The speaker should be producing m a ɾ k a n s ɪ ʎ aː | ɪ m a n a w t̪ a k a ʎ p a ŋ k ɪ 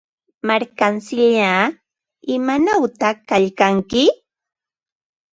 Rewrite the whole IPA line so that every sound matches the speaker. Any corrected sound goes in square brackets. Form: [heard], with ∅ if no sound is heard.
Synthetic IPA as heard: m a ɾ k a n s ɪ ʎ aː | ɪ m a n a w t̪ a k a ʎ [k] a ŋ k ɪ